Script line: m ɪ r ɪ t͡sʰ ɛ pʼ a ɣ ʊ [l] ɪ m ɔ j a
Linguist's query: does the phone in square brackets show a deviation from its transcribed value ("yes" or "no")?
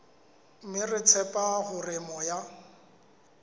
yes